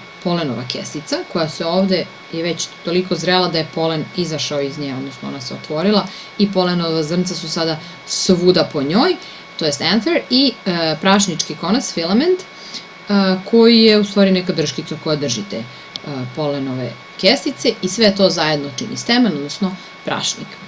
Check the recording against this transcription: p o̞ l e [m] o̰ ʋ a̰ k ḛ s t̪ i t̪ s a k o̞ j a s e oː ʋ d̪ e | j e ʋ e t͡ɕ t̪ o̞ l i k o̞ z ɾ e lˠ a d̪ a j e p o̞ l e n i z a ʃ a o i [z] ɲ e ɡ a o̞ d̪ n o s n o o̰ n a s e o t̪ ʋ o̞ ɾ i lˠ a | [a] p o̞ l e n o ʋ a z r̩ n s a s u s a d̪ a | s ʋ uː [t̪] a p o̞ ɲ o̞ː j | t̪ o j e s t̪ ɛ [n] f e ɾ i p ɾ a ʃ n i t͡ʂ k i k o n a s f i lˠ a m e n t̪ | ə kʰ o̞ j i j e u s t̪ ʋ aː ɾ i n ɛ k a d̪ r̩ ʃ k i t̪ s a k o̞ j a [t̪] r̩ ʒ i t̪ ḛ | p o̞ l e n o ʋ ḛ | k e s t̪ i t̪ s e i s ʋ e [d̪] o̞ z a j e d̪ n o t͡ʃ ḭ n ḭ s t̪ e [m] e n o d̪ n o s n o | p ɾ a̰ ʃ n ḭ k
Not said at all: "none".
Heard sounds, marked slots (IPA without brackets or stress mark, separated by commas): n, z, i, d̪, n, d̪, t̪, m